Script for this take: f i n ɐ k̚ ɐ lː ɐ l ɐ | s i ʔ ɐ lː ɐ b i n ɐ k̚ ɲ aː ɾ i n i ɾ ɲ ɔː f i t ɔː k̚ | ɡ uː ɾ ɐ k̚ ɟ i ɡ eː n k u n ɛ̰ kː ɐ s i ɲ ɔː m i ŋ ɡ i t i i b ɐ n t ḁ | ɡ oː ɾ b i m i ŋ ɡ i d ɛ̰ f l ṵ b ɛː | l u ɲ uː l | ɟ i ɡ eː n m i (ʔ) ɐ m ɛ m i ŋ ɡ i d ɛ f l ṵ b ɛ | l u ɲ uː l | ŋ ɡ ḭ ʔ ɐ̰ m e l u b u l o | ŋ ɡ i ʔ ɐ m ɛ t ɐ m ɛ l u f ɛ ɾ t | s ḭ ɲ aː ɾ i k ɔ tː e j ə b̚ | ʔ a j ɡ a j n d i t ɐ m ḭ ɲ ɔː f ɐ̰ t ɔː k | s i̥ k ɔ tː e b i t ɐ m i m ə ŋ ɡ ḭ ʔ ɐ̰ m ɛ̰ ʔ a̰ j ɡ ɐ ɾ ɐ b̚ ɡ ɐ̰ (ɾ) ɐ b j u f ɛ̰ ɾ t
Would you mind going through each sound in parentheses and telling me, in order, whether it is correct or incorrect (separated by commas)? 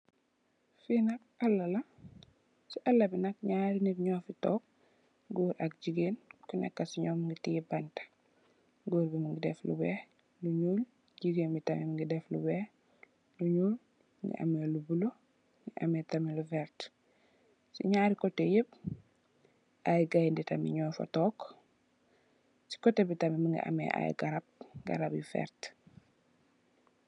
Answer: incorrect, correct